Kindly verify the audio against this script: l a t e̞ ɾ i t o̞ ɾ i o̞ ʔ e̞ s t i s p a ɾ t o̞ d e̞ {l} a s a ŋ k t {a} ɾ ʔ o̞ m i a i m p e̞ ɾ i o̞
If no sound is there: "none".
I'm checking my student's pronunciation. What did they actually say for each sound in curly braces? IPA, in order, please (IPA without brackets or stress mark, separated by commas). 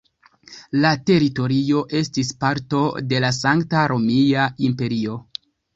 l, a